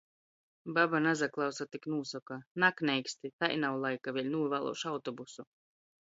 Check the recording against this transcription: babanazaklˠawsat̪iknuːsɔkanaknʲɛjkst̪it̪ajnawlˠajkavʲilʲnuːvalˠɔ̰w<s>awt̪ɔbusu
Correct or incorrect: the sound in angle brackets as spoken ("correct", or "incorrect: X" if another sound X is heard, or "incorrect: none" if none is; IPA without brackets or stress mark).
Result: incorrect: ʃ